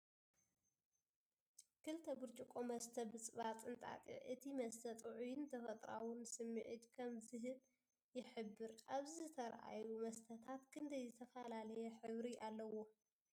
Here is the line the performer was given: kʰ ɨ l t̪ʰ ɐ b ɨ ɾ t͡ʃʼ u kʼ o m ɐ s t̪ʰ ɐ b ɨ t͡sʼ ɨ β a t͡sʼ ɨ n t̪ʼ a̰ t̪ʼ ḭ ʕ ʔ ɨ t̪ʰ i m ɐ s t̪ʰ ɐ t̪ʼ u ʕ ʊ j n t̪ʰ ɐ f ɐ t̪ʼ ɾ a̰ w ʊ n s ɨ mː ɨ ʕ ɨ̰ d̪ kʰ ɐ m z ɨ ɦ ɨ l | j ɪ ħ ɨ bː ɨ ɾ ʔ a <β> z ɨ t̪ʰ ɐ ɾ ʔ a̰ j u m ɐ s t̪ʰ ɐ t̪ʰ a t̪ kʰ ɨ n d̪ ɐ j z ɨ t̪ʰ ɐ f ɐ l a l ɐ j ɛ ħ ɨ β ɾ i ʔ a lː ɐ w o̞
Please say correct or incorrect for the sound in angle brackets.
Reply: correct